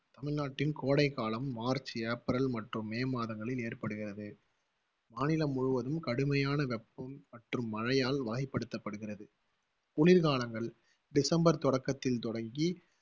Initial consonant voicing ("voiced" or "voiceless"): voiceless